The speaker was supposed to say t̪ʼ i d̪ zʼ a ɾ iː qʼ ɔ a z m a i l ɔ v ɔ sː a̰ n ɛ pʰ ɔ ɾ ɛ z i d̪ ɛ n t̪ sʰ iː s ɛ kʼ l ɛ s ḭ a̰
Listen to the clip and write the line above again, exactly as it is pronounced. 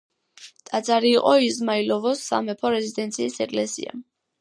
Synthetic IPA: t̪ʼ a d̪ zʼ a ɾ iː qʼ ɔ i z m a i l ɔ v ɔ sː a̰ m ɛ pʰ ɔ ɾ ɛ z i d̪ ɛ n t̪ sʰ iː s ɛ kʼ l ɛ s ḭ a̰